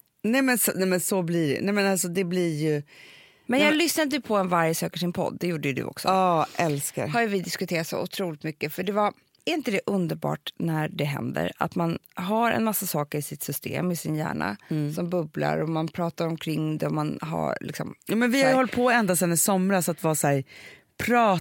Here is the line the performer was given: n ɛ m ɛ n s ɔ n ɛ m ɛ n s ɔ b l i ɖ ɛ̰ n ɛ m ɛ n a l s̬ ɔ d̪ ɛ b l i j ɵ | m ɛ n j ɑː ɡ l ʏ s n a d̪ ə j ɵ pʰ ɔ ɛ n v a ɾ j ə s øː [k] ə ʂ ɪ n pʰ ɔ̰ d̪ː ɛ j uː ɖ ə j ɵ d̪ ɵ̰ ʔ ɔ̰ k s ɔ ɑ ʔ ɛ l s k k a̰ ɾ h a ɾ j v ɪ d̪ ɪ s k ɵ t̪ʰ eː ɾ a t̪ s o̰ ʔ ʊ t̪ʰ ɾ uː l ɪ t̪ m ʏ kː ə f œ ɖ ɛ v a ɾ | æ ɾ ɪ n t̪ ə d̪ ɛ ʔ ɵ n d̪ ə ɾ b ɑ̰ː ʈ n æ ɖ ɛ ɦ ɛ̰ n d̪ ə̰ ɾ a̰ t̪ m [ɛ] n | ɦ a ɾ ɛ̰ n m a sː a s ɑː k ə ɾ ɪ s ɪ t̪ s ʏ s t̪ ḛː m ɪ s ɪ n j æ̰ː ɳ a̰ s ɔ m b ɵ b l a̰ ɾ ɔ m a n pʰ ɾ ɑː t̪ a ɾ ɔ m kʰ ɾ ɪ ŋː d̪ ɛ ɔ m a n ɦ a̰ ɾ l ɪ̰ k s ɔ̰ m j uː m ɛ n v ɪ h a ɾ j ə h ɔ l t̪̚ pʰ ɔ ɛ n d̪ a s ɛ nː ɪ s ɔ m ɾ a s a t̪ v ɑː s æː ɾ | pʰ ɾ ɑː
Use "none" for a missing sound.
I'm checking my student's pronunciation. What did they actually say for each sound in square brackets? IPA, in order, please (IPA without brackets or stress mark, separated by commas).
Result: k, a